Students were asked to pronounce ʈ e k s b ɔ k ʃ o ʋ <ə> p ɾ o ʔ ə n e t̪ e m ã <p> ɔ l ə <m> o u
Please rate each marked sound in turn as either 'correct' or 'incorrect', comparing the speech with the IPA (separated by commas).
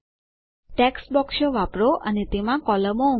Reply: incorrect, incorrect, correct